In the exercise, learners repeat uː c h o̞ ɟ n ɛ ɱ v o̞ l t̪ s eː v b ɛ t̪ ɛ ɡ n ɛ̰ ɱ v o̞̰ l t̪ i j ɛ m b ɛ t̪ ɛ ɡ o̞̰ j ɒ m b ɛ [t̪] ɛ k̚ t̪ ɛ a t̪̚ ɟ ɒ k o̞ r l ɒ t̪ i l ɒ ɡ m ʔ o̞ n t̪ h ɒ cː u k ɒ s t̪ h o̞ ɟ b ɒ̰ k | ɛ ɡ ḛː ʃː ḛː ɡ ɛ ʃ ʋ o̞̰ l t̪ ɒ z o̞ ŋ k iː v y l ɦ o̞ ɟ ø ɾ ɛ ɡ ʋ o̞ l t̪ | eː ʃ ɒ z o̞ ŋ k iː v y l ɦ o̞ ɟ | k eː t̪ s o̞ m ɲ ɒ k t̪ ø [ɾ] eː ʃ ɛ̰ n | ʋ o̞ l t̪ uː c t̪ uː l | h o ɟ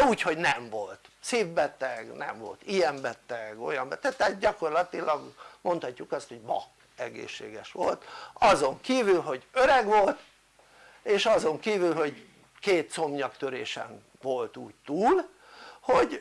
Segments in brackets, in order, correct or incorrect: correct, correct

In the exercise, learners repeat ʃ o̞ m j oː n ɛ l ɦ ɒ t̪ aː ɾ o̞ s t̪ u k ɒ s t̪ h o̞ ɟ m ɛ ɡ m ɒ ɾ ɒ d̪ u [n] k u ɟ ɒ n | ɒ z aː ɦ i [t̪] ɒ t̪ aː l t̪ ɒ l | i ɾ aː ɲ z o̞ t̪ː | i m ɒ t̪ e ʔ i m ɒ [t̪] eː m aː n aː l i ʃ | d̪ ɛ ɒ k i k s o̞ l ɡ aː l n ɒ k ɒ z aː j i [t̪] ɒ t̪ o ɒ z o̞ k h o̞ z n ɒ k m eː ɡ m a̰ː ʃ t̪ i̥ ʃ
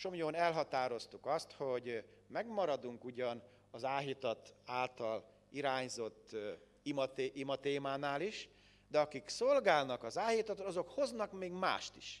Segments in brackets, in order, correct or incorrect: incorrect, correct, correct, correct

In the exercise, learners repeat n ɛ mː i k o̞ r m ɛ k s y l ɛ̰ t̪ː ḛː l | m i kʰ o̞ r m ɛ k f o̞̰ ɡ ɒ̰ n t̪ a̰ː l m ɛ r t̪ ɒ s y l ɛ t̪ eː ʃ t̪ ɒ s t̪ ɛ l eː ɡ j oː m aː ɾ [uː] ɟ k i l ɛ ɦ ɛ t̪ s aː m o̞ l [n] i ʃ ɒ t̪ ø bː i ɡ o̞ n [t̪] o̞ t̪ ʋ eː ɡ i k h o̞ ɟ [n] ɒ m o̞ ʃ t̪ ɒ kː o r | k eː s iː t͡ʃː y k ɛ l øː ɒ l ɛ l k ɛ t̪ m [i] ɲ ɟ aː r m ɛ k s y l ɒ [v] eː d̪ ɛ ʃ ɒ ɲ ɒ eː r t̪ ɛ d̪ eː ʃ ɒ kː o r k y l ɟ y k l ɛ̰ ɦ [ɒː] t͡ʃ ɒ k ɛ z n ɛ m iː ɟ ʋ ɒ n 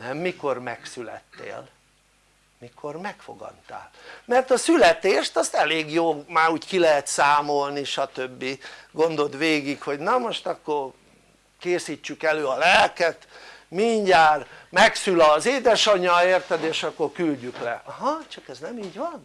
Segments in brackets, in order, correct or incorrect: correct, correct, incorrect, correct, correct, incorrect, incorrect

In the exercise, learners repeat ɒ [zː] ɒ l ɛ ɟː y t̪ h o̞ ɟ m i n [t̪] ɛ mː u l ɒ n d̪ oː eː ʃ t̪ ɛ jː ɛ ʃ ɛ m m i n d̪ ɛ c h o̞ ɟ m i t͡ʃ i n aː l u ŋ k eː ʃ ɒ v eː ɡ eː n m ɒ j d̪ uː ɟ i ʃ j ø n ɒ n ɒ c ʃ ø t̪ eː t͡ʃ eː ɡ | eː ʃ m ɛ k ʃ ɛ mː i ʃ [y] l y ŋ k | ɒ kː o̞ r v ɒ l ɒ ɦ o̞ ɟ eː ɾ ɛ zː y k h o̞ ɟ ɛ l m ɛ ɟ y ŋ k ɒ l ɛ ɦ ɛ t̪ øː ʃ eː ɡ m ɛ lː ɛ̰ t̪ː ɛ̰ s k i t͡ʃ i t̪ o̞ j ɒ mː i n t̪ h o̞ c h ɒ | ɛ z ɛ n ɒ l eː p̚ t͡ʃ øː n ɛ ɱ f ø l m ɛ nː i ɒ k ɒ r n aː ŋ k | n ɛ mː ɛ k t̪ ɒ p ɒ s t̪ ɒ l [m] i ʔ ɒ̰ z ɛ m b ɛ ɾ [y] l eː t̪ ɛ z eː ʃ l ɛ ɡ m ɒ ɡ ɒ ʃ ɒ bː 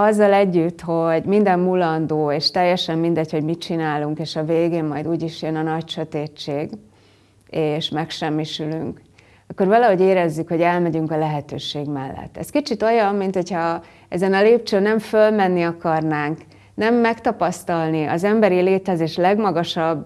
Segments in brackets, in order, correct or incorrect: correct, incorrect, correct, incorrect, incorrect

